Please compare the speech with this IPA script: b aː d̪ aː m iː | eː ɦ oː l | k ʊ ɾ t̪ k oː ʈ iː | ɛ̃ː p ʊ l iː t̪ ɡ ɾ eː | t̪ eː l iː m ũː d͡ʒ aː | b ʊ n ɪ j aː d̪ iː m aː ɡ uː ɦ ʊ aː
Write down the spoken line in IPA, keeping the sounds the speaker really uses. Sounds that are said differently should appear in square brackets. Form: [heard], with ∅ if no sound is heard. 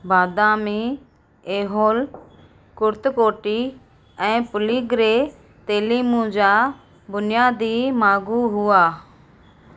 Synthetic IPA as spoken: b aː d̪ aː m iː | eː ɦ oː l | k ʊ ɾ t̪ k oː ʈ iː | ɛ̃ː p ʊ l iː [∅] ɡ ɾ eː | t̪ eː l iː m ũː d͡ʒ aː | b ʊ n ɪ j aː d̪ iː m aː ɡ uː ɦ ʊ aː